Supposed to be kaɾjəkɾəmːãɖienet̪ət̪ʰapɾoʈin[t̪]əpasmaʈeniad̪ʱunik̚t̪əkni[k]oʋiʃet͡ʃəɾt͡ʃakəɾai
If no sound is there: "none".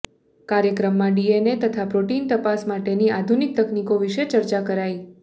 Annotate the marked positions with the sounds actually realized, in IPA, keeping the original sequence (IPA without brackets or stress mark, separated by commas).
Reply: t̪, k